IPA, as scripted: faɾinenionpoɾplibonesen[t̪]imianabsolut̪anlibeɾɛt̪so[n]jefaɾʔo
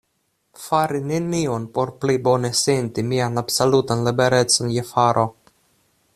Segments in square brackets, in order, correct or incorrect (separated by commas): correct, correct